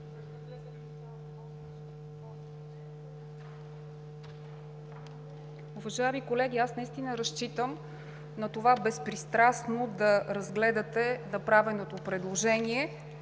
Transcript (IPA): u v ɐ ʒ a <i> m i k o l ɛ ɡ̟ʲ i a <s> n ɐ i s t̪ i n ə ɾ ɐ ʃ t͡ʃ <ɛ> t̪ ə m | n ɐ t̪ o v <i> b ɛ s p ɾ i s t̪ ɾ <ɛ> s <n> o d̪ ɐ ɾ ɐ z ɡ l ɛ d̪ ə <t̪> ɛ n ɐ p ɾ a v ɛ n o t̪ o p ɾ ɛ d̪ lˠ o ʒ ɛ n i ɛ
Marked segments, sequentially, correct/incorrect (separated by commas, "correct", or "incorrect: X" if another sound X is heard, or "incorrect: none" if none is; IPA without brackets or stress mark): incorrect: ɛ, correct, incorrect: i, incorrect: a, incorrect: a, correct, correct